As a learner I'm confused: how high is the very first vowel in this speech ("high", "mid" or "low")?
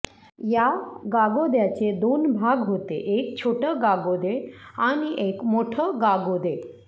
low